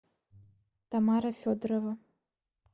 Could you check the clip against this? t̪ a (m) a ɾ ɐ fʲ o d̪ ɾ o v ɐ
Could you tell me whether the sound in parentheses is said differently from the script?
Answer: no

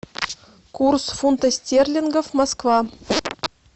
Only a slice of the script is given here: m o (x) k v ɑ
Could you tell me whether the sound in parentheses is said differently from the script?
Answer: yes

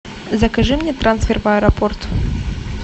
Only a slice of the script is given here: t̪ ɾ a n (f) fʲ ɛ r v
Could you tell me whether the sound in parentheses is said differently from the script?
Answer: yes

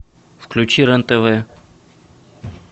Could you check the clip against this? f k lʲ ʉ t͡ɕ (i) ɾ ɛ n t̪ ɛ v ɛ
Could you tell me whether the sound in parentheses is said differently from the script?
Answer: no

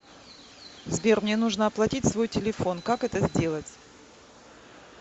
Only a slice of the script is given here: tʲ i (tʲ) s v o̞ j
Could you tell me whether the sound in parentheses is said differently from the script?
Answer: no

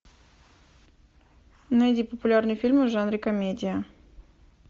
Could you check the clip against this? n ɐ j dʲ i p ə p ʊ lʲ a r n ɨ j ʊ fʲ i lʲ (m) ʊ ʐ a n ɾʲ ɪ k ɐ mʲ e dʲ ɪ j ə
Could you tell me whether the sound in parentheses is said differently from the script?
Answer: no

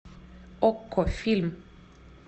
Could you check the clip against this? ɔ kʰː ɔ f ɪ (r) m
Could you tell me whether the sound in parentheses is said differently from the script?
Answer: yes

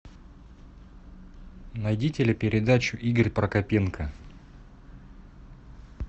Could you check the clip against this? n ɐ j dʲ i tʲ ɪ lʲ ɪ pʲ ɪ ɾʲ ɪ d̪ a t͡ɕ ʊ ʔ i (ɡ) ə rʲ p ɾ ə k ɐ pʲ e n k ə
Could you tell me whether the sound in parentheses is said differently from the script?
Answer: no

